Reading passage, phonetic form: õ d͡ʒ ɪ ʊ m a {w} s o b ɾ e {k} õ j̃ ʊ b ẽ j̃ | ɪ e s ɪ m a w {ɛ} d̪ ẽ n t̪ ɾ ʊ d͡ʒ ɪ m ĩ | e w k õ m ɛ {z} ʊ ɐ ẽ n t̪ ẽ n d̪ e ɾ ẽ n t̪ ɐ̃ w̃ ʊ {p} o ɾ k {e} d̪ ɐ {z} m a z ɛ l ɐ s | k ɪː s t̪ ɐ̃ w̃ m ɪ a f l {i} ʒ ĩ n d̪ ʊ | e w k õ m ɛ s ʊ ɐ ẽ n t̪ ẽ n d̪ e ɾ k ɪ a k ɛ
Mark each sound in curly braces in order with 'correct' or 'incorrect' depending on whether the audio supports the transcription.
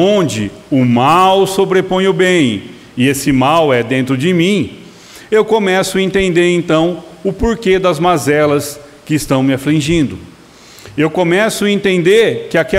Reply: correct, incorrect: p, correct, incorrect: s, correct, correct, correct, incorrect: ĩ

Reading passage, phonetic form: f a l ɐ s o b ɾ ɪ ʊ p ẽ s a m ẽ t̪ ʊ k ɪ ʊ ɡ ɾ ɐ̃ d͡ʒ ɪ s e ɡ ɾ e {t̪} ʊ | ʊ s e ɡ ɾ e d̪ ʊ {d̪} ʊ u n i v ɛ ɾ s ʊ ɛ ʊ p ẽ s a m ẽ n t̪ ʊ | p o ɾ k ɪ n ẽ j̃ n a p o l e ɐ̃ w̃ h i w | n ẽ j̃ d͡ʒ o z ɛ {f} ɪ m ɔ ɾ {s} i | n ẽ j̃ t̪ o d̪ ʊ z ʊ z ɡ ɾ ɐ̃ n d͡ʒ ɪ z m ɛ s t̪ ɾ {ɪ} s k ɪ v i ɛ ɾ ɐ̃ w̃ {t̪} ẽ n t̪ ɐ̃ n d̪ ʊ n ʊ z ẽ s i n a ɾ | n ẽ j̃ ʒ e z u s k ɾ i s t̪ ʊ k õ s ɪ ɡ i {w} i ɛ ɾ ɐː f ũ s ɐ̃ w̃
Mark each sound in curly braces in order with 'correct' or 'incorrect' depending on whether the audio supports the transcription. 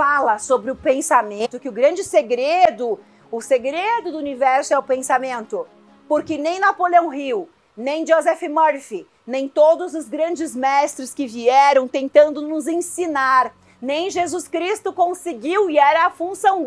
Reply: incorrect: d̪, correct, correct, incorrect: f, correct, correct, correct

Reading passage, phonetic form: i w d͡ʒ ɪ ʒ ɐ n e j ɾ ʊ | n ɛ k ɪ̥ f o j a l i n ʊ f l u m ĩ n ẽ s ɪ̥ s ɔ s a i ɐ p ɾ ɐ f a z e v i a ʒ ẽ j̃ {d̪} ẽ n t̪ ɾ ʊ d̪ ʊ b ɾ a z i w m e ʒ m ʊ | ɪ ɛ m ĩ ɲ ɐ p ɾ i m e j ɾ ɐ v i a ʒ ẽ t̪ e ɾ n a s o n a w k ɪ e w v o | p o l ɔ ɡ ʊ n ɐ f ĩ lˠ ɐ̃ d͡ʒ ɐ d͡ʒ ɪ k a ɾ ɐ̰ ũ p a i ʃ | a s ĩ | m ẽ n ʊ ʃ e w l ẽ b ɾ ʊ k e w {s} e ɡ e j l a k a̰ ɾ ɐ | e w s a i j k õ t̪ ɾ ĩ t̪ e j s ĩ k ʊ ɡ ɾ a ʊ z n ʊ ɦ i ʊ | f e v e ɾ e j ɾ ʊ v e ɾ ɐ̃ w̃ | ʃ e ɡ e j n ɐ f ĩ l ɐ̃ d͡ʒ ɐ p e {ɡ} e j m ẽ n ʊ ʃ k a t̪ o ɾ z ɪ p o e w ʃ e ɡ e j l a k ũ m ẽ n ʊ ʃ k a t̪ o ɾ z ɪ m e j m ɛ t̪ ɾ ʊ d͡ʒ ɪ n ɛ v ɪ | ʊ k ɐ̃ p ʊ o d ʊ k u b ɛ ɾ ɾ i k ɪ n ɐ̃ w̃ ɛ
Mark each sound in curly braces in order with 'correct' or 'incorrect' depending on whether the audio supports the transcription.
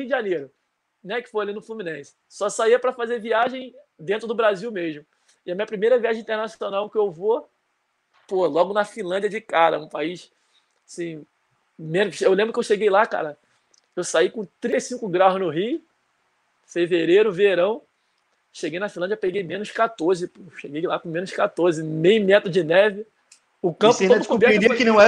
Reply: correct, incorrect: ʃ, correct

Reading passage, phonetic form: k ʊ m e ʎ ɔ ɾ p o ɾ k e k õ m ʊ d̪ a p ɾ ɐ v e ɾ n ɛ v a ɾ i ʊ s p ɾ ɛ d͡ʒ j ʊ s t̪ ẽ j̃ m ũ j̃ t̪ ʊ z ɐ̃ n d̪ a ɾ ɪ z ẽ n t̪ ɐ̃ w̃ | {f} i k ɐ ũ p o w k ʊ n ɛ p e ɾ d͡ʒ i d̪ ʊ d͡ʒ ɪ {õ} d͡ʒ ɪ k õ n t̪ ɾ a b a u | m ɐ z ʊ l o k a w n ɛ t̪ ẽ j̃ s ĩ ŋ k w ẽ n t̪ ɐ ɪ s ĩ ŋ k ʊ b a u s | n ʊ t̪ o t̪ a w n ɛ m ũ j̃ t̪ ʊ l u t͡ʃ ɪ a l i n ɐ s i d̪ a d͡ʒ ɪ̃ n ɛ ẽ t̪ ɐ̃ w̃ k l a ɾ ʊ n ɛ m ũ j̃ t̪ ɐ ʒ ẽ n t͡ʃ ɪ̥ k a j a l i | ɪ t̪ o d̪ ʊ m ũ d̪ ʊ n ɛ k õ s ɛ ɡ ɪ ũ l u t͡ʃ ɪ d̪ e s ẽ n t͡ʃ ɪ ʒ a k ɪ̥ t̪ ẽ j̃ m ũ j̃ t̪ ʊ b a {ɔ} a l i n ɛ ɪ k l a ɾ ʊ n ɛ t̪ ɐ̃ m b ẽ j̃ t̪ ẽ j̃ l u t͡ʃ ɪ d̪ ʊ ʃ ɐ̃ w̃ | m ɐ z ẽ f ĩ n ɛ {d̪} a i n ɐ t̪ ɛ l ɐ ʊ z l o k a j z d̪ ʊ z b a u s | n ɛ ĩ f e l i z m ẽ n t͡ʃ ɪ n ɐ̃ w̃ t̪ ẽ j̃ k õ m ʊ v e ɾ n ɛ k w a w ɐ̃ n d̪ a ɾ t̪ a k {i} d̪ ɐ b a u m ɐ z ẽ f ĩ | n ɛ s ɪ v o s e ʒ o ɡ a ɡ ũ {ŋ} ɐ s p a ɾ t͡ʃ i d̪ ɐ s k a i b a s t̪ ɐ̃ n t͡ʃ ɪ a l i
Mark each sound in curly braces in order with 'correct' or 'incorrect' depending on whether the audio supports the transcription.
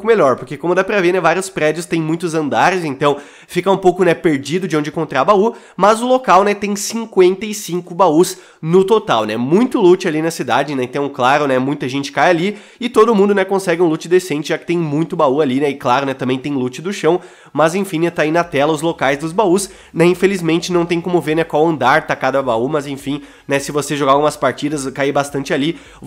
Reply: correct, correct, incorrect: u, incorrect: t̪, incorrect: a, incorrect: m

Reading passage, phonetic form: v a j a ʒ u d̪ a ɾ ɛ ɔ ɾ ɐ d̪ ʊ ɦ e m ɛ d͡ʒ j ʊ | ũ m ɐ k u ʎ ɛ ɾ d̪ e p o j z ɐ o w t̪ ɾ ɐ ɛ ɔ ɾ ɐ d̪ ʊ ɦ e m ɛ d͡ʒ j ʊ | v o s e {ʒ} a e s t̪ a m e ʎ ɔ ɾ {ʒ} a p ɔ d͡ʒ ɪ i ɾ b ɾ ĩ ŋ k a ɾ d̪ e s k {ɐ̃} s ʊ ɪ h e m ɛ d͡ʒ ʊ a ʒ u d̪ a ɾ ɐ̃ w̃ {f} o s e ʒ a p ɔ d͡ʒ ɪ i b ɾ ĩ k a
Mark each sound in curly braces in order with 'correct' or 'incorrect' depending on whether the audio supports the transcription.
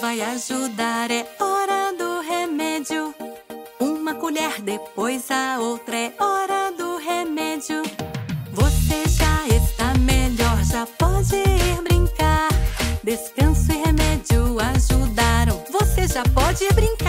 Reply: correct, correct, correct, incorrect: v

